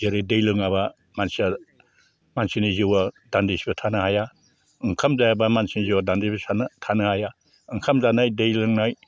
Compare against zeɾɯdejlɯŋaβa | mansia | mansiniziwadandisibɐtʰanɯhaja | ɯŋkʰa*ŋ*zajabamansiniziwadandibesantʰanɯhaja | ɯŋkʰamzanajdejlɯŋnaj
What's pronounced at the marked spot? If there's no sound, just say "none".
m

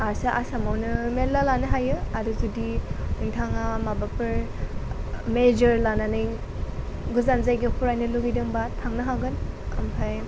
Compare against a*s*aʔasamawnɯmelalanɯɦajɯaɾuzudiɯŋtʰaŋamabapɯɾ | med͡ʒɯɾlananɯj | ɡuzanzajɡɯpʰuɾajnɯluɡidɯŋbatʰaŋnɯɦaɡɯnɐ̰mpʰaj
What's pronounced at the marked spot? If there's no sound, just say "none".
s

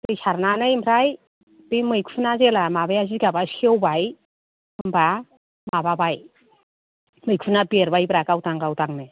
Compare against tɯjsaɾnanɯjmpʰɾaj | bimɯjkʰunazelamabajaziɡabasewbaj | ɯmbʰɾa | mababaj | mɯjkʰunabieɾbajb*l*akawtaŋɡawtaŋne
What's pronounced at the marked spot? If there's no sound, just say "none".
ɾ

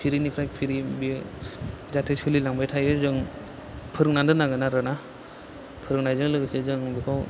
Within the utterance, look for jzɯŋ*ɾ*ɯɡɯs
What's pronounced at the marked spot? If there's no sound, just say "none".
l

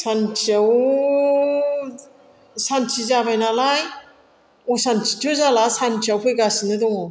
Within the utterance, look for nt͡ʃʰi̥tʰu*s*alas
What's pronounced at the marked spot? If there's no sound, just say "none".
z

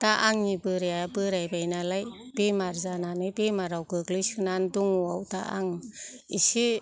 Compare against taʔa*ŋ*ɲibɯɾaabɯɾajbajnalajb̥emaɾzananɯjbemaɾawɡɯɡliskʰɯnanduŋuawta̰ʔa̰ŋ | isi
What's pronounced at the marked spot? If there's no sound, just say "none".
ŋ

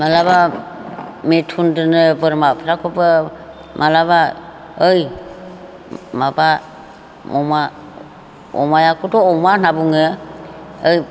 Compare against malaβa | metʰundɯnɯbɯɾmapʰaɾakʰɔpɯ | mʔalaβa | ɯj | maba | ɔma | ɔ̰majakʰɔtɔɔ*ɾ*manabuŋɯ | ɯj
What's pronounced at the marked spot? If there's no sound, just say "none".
none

